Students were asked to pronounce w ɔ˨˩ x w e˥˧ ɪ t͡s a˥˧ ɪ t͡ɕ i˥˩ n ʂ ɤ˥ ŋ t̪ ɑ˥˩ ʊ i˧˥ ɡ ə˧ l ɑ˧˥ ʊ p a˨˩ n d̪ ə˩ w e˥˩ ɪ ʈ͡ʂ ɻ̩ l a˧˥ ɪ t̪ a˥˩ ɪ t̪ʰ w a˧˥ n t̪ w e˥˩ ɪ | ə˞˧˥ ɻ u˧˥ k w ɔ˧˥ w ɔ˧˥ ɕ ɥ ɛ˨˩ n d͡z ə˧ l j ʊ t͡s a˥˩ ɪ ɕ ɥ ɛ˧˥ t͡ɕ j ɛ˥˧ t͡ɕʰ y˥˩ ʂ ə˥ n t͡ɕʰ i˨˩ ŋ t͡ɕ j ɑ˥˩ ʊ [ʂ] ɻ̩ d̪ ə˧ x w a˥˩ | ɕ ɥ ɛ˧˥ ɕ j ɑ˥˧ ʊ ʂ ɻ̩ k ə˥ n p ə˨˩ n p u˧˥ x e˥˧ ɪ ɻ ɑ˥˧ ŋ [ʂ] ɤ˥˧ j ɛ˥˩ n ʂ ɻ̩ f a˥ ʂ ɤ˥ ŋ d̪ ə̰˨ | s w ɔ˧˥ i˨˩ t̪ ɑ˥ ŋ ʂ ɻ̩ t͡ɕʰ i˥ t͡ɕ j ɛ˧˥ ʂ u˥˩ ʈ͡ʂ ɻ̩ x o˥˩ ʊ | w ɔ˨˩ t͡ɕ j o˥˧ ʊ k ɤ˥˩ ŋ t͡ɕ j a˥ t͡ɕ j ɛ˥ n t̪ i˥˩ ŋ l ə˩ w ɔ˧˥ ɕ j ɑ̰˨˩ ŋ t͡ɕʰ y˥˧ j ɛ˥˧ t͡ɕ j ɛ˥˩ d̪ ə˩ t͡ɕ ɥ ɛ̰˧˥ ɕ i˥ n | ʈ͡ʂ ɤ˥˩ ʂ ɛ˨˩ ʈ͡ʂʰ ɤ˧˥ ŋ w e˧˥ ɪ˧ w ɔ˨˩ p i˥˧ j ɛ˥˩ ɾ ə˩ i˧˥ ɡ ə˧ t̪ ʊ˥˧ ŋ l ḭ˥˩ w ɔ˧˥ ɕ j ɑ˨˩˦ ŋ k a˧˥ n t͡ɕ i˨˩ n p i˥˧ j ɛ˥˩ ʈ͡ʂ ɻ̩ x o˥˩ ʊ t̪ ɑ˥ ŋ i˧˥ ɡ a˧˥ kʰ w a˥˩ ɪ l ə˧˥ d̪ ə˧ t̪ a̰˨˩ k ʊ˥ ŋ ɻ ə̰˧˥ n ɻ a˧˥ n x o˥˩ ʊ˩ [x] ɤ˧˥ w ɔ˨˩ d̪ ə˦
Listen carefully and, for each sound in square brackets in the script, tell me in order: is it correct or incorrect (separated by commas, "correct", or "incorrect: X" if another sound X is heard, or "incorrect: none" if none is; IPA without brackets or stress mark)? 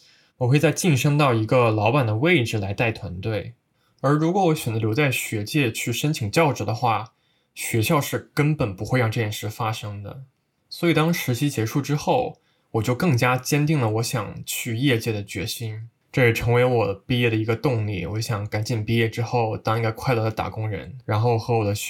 incorrect: ʈ͡ʂ, incorrect: ʈ͡ʂ, correct